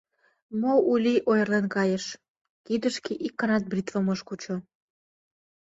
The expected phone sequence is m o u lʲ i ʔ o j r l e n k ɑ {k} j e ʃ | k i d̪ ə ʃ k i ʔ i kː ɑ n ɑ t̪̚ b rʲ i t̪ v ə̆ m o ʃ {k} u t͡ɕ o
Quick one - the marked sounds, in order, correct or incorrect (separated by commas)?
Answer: incorrect, correct